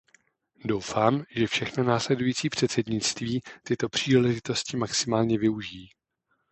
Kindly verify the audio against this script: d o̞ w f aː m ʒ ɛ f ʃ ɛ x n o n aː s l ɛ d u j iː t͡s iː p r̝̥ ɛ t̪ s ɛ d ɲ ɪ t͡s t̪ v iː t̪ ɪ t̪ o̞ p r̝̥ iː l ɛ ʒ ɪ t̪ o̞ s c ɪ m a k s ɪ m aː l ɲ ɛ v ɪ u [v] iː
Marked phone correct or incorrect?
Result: incorrect